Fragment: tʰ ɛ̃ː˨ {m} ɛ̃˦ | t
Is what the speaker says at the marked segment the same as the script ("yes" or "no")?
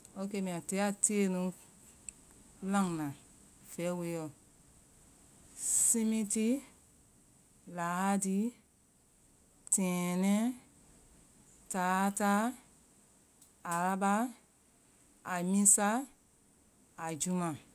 no